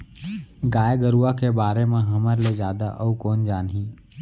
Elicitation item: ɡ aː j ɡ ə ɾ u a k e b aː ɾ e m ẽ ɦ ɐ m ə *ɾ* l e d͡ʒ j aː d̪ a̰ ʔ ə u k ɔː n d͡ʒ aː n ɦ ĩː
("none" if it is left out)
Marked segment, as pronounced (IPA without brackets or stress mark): ɾ